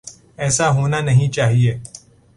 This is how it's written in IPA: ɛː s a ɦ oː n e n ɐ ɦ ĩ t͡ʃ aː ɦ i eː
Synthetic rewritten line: ɛː s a ɦ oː n a n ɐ ɦ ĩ t͡ʃ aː ɦ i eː

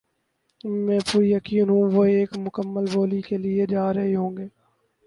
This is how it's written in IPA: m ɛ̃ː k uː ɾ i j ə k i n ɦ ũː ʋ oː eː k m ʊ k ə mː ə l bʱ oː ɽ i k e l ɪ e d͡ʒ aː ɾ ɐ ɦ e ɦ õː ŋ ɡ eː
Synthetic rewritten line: m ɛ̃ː p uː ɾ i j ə k iː n ɦ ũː ʋ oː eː k m ʊ k ə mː ə l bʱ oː l i k e l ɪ e d͡ʒ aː ɾ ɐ ɦ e ɦ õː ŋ ɡ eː

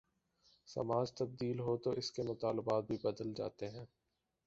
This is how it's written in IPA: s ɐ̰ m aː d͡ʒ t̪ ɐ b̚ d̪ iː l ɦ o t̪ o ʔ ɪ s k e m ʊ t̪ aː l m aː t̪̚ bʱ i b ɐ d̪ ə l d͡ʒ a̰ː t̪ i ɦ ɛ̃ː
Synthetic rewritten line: s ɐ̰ m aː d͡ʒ t̪ ɐ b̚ d̪ iː l ɦ o t̪ o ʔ ɪ s k e m ʊ t̪ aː l b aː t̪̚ bʱ i b ɐ d̪ ə l d͡ʒ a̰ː t̪ e ɦ ɛ̃ː

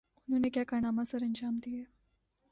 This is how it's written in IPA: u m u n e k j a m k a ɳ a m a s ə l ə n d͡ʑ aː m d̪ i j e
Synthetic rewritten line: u n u n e k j a k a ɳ a m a s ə ɾ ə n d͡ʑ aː m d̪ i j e

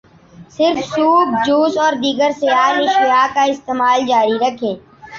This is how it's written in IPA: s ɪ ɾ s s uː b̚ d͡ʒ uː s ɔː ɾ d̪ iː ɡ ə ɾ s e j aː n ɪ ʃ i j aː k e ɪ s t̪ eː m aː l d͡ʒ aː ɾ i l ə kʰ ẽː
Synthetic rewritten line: s ɪ ɾ f s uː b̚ d͡ʒ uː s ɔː ɾ d̪ iː ɡ ə ɾ s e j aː n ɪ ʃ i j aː k a ɪ s t̪ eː m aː l d͡ʒ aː ɾ i ɾ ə kʰ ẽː

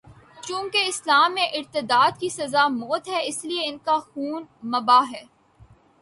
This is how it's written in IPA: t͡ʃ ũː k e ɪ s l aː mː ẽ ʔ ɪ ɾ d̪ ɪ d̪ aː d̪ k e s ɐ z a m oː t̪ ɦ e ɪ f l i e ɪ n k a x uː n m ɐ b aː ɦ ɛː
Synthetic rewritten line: t͡ʃ ũː k e ɪ s l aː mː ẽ ʔ ɪ ɾ t̪ ɪ d̪ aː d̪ k i s ɐ z a m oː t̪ ɦ ɛ ɪ s l i e ɪ n k a x uː n m ɐ b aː ɦ ɛː

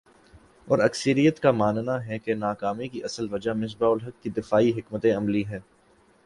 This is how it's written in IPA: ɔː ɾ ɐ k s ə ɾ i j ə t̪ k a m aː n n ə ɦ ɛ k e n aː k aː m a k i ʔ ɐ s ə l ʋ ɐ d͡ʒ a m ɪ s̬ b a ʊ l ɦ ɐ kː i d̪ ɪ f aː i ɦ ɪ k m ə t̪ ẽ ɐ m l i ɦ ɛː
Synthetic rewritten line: ɔː ɾ ɐ k s ə ɾ i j ə t̪ k a m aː n n a ɦ ɛ k e n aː k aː m i k i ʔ ɐ s ə l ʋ ɐ d͡ʒ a m ɪ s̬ b a ʊ l ɦ ɐ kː i d̪ ɪ f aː i ɦ ɪ k m ə t̪ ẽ ɐ m l i ɦ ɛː

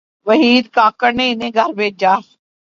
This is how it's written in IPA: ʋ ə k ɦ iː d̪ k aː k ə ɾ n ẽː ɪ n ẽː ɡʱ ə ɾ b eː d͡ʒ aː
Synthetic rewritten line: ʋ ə ɦ iː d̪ k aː k ə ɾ n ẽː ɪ n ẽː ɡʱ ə ɾ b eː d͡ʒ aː

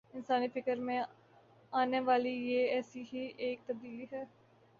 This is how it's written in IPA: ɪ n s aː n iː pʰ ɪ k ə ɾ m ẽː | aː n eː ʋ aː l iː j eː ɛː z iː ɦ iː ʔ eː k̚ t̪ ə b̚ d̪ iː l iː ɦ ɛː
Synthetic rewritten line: ɪ n s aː n iː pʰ ɪ k ə ɾ m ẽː | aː n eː ʋ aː l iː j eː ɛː s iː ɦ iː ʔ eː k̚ t̪ ə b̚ d̪ iː l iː ɦ ɛː

